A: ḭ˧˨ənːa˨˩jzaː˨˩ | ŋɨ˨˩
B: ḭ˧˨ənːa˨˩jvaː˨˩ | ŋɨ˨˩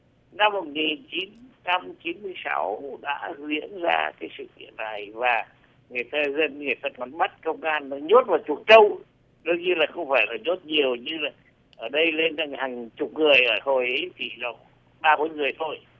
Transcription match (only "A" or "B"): B